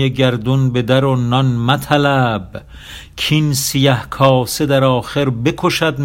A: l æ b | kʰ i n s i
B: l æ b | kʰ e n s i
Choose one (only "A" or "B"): A